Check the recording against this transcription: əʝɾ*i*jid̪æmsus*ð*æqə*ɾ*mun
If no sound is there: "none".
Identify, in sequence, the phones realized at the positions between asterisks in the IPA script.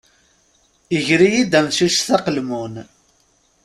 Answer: i, θ, l

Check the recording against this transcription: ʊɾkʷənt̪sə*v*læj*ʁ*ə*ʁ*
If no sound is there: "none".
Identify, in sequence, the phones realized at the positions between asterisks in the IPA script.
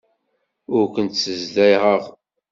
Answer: z, ʁ, ʁ

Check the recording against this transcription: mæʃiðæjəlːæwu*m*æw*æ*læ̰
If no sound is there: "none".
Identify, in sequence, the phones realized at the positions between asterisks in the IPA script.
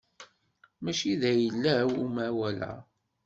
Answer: m, æ

